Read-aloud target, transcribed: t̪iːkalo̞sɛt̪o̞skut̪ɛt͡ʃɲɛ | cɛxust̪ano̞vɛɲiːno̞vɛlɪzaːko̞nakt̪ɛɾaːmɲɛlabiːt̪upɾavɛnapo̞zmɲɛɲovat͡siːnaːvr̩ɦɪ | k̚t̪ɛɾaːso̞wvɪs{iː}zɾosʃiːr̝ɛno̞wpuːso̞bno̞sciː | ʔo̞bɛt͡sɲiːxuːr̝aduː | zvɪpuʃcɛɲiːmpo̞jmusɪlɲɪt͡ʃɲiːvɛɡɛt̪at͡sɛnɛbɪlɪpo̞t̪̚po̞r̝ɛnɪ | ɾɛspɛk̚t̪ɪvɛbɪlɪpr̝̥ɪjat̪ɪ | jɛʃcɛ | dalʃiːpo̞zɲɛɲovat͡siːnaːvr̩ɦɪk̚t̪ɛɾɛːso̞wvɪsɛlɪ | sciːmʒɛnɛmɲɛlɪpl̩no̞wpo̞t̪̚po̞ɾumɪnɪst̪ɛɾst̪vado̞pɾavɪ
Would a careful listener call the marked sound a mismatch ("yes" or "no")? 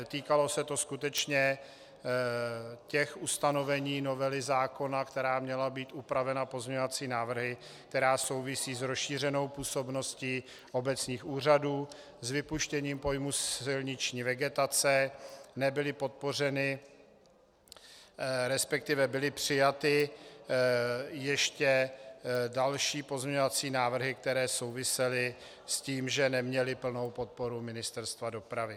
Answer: no